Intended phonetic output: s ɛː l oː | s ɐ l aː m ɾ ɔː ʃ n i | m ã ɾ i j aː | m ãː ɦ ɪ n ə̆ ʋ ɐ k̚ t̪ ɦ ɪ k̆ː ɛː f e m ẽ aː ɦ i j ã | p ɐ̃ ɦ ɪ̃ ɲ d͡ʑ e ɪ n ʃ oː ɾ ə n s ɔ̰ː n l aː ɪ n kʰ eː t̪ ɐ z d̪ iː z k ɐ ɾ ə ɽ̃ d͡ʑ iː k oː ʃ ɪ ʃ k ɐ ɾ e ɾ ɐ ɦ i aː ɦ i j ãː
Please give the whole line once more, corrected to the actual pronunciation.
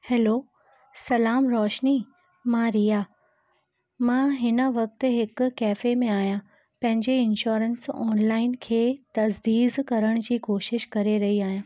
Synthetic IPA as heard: h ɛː l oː | s ɐ l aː m ɾ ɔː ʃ n i | m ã ɾ i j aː | m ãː ɦ ɪ n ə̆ ʋ ɐ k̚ t̪ ɦ ɪ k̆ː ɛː f e m ẽ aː ɦ i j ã | p ɐ̃ ɦ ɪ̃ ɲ d͡ʑ e ɪ n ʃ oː ɾ ə n s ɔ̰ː n l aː ɪ n kʰ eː t̪ ɐ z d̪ iː z k ɐ ɾ ə ɽ̃ d͡ʑ iː k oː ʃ ɪ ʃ k ɐ ɾ e ɾ ɐ ɦ i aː ɦ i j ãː